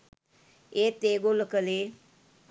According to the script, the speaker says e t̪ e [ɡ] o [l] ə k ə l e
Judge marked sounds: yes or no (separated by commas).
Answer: yes, yes